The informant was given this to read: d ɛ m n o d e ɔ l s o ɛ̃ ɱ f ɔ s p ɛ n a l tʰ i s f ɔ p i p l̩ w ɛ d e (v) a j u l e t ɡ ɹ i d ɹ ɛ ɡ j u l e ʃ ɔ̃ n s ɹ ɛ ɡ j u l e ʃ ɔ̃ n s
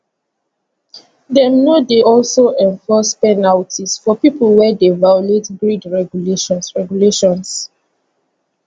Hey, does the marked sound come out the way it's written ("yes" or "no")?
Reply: yes